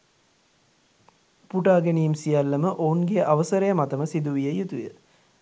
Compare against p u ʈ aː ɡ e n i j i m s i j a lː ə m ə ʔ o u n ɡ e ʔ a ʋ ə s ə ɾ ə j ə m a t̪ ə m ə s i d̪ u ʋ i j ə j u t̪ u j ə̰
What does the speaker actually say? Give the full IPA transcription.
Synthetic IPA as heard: p u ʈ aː ɡ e n i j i m s i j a lː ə m ə ʔ o u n ɡ e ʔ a ʋ ə s ə ɾ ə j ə m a t̪ ə m ə s i d̪ u ʋ i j ə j u t̪ u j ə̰